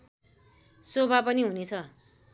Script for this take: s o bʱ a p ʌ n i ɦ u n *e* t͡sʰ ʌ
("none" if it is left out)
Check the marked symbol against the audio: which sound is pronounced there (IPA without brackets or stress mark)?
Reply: e